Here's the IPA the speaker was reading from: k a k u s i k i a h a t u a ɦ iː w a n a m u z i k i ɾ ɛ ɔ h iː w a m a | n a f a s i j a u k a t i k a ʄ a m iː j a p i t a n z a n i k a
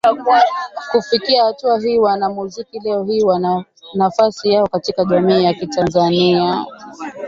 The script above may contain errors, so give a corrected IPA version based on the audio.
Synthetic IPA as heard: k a k u f i k i a h a t u a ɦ iː w a n a m u z i k i l ɛ ɔ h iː w a n a | n a f a s i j a ɔ k a t i k a ʄ a m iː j a k i t a n z a n i a